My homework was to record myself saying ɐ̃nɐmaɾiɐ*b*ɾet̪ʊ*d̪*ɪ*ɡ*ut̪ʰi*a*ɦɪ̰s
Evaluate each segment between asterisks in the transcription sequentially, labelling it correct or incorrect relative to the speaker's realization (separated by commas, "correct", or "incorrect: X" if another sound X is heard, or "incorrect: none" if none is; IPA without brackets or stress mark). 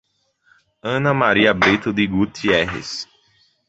correct, correct, correct, incorrect: ɛ